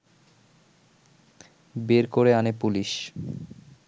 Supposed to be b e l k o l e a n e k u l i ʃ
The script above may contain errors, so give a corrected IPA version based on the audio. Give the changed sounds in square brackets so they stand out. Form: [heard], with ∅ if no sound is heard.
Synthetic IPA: b e [ɾ] k o [ɾ] e a n e [p] u l i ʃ